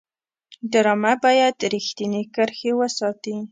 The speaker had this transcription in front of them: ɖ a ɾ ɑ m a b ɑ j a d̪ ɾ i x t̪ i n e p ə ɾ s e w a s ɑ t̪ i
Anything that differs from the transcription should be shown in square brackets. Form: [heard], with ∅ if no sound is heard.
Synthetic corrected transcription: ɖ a ɾ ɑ m a b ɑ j a d̪ ɾ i x t̪ i n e [k] ə ɾ [x] e w [ə] s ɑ t̪ i